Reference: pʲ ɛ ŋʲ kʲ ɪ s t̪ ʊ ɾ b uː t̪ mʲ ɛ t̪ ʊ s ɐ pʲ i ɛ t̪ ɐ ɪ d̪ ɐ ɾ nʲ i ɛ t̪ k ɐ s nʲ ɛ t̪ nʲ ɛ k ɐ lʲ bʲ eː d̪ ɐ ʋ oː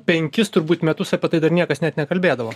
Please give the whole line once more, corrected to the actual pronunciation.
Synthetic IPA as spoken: pʲ ɛ ŋʲ kʲ ɪ s t̪ ʊ ɾ b uː t̪ mʲ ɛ t̪ ʊ s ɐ pʲ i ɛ t̪ ɐ ɪ d̪ ɐ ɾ nʲ i ɛ k ɐ s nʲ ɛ t̪ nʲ ɛ k ɐ lʲ bʲ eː d̪ ɐ ʋ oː

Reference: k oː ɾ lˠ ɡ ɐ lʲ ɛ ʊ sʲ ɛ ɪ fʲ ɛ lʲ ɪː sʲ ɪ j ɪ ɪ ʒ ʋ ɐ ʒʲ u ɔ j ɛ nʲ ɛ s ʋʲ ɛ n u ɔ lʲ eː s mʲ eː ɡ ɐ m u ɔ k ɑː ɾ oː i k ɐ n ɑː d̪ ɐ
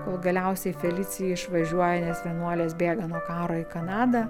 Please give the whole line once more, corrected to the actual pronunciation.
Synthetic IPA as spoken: k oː lˠ ɡ ɐ lʲ ɛ ʊ sʲ ɛ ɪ fʲ ɛ lʲ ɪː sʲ ɪ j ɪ ɪ ʃ ʋ ɐ ʒʲ u ɔ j ɛ nʲ ɛ s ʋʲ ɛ n u ɔ lʲ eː s bʲ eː ɡ ɐ n u ɔ k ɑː ɾ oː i k ɐ n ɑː d̪ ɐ

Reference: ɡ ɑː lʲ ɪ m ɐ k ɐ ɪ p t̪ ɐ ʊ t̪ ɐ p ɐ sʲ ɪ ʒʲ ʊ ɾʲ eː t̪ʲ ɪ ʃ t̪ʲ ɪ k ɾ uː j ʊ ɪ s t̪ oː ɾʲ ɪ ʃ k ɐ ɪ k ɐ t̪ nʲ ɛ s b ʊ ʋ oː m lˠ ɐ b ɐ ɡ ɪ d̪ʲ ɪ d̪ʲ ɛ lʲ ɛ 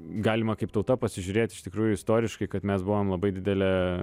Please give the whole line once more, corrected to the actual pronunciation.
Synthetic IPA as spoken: ɡ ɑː lʲ ɪ m ɐ k ɐ ɪ p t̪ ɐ ʊ t̪ ɐ p ɐ sʲ ɪ ʒʲ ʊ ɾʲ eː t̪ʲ ɪ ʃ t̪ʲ ɪ k ɾ uː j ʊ ɪ s t̪ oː ɾʲ ɪ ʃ k ɐ ɪ k ɐ t̪ mʲ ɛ s b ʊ ʋ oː m lˠ ɐ b ɐ ɪ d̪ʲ ɪ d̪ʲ ɛ lʲ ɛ

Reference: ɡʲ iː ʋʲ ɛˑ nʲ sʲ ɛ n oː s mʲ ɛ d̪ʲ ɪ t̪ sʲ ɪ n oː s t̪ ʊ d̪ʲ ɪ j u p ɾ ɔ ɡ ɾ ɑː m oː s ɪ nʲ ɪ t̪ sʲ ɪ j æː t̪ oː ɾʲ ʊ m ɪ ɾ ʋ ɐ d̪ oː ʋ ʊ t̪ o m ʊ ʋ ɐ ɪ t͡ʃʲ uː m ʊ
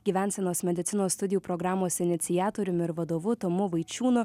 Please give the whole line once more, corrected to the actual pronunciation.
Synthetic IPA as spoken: ɡʲ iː ʋʲ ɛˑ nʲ sʲ ɛ n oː s mʲ ɛ d̪ʲ ɪ t̪ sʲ ɪ n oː s t̪ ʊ d̪ʲ ɪ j u p ɾ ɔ ɡ ɾ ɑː m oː s ɪ nʲ ɪ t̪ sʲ ɪ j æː t̪ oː ɾʲ ʊ m ɪ ɾ ʋ ɐ d̪ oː ʋ ʊ t̪ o m ʊ ʋ ɐ ɪ t͡ʃʲ uː n ʊ

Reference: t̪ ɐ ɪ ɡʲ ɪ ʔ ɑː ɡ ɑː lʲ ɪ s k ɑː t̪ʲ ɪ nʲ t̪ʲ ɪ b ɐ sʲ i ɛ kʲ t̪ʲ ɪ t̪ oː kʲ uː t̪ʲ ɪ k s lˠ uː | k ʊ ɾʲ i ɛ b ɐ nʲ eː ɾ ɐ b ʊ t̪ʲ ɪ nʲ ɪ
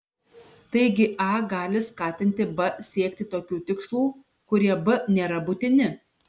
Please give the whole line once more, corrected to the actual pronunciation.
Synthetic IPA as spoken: t̪ ɐ ɪ ɡʲ ɪ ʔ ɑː ɡ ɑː lʲ ɪ s k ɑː t̪ʲ ɪ nʲ t̪ʲ ɪ b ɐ sʲ i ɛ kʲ t̪ʲ ɪ t̪ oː kʲ uː t̪ʲ ɪ k s lˠ uː | k ʊ ɾʲ i ɛ b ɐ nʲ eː ɾ ɐ b ʊ t̪ʲ ɪ nʲ ɪ

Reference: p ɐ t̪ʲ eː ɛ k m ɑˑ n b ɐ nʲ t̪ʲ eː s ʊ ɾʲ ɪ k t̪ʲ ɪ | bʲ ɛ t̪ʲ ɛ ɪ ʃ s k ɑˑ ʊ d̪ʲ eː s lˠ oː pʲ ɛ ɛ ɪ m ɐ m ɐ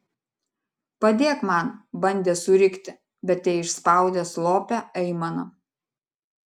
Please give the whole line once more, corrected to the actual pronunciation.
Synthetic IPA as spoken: p ɐ d̪ʲ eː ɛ k m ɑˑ n b ɐ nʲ d̪ʲ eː s ʊ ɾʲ ɪ k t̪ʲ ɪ | bʲ ɛ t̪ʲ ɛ ɪ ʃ s p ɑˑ ʊ d̪ʲ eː s lˠ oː pʲ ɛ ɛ ɪ m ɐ n ɐ

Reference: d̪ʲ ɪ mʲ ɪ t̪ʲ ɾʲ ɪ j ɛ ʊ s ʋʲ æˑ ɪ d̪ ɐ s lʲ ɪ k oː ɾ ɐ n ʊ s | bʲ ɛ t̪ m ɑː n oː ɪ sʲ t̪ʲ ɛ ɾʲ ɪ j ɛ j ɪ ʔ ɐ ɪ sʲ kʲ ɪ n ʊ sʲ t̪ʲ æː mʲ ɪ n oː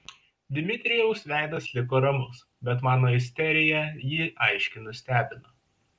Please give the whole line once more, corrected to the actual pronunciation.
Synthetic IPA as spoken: d̪ʲ ɪ mʲ ɪ t̪ʲ ɾʲ ɪ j ɛ ʊ s ʋʲ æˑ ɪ d̪ ɐ s lʲ ɪ k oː ɾ ɐ m ʊ s | bʲ ɛ t̪ m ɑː n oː ɪ sʲ t̪ʲ ɛ ɾʲ ɪ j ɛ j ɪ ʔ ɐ ɪ ʃʲ kʲ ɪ n ʊ sʲ t̪ʲ æː bʲ ɪ n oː

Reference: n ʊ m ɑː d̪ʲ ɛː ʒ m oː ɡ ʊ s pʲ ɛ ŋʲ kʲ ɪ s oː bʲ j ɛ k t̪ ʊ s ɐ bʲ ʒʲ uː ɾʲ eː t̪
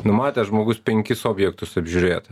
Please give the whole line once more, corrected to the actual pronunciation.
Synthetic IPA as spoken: n ʊ m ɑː t̪ʲ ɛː ʒ m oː ɡ ʊ s pʲ ɛ ŋʲ kʲ ɪ s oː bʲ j ɛ k t̪ ʊ s ɐ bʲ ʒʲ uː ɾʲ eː t̪

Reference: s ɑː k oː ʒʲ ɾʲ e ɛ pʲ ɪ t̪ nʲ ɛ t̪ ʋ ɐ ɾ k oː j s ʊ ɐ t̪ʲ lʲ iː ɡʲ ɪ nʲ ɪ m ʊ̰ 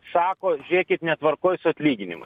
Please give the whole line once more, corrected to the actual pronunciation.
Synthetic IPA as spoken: s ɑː k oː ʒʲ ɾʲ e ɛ kʲ ɪ t̪ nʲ ɛ t̪ ʋ ɐ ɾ k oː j s ʊ ɐ t̪ʲ lʲ iː ɡʲ ɪ nʲ ɪ m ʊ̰

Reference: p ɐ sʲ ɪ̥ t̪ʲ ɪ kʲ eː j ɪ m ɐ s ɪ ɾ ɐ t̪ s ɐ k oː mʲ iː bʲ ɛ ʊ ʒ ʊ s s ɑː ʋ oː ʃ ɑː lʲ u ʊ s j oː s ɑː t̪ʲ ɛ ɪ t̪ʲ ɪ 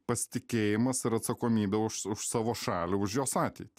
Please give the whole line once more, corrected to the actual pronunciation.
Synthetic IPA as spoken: p ɐ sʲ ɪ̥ t̪ʲ ɪ kʲ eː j ɪ m ɐ s ɪ ɾ ɐ t̪ s ɐ k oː mʲ iː bʲ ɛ ʊ ʃ ʊ ʃ s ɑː ʋ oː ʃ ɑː lʲ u ʊ ʃ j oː s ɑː t̪ʲ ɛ ɪ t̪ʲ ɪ

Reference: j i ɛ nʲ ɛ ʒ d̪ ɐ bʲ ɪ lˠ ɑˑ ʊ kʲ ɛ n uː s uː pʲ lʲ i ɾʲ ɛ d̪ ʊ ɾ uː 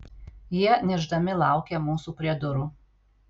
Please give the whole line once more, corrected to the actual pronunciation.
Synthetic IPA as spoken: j i ɛ nʲ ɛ ʒ d̪ ɐ mʲ ɪ lˠ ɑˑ ʊ kʲ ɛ m uː s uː pʲ ɾʲ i ɛ d̪ ʊ ɾ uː

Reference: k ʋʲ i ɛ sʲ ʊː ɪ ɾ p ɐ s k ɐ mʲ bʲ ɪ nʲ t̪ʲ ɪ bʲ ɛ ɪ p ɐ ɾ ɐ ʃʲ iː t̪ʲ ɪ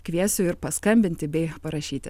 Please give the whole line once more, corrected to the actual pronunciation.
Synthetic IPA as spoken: k ʋʲ i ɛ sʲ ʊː ɪ ɾ p ɐ s k ɐ mʲ bʲ ɪ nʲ t̪ʲ ɪ bʲ ɛ ɪ p ɐ ɾ ɐ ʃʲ iː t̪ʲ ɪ

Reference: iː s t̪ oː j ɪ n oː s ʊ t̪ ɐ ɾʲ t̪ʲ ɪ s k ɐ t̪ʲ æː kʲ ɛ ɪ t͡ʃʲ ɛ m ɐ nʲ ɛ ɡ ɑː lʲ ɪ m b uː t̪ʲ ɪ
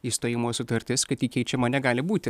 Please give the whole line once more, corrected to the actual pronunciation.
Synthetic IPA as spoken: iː s t̪ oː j ɪ m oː s ʊ t̪ ɐ ɾʲ t̪ʲ ɪ s k ɐ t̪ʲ iː kʲ ɛ ɪ t͡ʃʲ ɛ m ɐ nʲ ɛ ɡ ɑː lʲ ɪ b uː t̪ʲ ɪ

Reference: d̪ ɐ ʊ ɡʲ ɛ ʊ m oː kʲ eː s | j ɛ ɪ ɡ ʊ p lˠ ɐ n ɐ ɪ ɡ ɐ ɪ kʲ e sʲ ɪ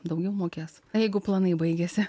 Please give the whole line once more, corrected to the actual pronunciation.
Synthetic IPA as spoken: d̪ ɐ ʊ ɡʲ ɛ ʊ m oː kʲ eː s | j ɛ ɪ ɡ ʊ p lˠ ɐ n ɐ ɪ b ɐ ɪ ɡʲ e sʲ ɪ

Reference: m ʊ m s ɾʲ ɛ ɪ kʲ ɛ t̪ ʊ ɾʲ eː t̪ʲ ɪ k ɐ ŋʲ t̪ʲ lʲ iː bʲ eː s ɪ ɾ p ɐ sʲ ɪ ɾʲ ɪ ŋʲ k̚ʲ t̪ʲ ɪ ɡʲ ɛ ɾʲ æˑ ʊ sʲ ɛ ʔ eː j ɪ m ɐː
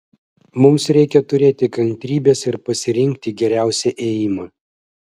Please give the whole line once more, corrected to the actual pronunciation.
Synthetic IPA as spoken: m ʊ m s ɾʲ ɛ ɪ kʲ ɛ t̪ ʊ ɾʲ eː t̪ʲ ɪ k ɐ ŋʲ t̪ʲ ɾʲ iː bʲ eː s ɪ ɾ p ɐ sʲ ɪ ɾʲ ɪ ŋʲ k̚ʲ t̪ʲ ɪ ɡʲ ɛ ɾʲ æˑ ʊ sʲ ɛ ʔ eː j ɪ m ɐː

